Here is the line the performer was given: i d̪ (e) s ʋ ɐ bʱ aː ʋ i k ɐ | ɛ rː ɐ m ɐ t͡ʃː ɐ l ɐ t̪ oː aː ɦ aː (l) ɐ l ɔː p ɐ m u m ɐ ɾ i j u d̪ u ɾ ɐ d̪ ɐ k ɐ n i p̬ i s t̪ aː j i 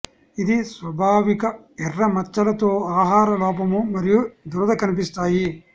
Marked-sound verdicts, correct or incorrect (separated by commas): incorrect, incorrect